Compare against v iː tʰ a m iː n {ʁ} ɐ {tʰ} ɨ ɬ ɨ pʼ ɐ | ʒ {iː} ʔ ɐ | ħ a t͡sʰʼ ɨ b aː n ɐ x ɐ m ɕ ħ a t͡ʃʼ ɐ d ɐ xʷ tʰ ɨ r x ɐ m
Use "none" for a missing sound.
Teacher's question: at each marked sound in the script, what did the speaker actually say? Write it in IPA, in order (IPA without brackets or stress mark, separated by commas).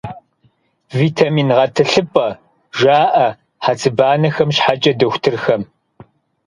ʁ, tʰ, aː